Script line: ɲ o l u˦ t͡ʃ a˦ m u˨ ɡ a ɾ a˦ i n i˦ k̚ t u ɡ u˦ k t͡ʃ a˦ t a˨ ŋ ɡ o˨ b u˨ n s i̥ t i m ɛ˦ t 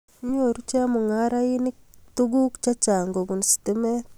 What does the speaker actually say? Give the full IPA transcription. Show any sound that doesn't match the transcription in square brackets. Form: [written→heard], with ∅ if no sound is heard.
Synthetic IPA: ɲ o [l→ɾ] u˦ t͡ʃ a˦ m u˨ [ɡ→ŋ] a ɾ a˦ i n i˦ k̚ t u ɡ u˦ k t͡ʃ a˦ [t→t͡ʃ] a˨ ŋ ɡ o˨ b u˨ n s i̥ t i m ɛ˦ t